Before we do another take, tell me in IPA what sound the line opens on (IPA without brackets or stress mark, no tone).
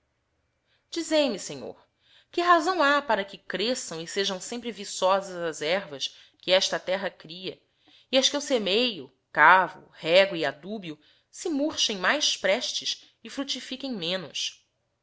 d͡ʒ